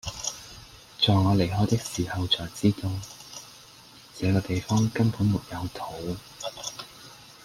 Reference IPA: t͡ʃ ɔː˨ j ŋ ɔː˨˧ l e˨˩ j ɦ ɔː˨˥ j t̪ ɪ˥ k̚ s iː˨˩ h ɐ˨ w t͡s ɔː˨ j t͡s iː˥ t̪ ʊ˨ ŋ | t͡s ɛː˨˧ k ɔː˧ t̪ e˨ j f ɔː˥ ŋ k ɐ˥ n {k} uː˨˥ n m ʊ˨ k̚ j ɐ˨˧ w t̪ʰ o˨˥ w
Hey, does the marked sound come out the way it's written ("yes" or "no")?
no